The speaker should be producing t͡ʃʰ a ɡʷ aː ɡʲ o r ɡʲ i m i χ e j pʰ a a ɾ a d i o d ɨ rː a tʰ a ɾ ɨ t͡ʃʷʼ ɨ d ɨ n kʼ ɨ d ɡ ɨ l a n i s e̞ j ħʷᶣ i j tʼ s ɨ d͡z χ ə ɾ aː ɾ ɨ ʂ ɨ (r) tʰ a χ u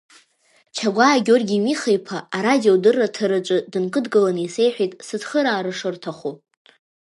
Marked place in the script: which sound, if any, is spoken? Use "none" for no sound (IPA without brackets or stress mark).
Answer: r